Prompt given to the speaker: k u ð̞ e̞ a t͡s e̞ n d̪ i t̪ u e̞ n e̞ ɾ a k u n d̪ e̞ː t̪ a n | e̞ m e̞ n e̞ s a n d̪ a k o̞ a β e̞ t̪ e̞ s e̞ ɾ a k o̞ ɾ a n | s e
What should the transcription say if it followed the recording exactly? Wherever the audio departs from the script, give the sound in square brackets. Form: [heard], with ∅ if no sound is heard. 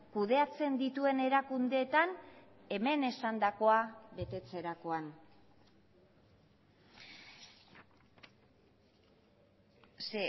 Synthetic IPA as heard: k u ð̞ e̞ a t͡s e̞ n d̪ i t̪ u e̞ n e̞ ɾ a k u n d̪ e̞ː t̪ a n | e̞ m e̞ n e̞ s a n d̪ a k o̞ a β e̞ t̪ e̞ [t͡s] e̞ ɾ a k o̞ [∅] a n | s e